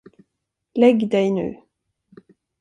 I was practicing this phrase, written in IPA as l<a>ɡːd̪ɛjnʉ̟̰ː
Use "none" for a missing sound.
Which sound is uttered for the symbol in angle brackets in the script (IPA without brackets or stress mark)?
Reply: ɛ